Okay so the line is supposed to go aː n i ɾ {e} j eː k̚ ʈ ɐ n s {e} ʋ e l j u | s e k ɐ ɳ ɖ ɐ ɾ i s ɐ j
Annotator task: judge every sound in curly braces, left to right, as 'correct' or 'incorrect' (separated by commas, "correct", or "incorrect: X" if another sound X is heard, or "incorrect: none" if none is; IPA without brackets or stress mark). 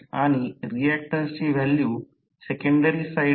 incorrect: i, incorrect: i